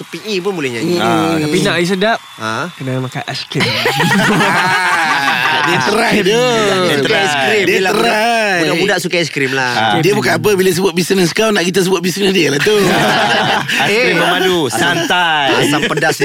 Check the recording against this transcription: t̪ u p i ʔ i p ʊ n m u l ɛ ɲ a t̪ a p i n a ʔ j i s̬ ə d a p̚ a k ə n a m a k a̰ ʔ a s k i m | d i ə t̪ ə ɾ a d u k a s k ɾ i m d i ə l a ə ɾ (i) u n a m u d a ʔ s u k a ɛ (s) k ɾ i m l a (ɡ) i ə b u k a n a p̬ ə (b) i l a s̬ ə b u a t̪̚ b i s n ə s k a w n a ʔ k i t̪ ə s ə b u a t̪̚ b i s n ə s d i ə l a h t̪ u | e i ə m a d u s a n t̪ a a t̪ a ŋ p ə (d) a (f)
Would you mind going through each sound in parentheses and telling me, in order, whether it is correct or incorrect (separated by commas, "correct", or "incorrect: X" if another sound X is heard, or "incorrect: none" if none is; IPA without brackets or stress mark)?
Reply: incorrect: a, correct, incorrect: d, correct, correct, incorrect: s